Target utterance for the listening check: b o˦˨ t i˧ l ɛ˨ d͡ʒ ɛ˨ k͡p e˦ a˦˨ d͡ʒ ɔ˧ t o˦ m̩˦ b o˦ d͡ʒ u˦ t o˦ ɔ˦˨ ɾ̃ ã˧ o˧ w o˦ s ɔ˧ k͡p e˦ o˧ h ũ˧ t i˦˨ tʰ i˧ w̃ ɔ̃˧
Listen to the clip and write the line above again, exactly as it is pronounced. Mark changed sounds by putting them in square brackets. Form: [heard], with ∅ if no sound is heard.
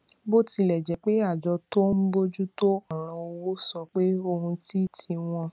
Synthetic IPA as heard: b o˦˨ t i˧ l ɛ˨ d͡ʒ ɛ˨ k͡p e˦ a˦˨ d͡ʒ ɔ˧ t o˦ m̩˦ b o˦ d͡ʒ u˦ t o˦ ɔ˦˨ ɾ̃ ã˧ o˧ w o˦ s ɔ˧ k͡p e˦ o˧ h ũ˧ t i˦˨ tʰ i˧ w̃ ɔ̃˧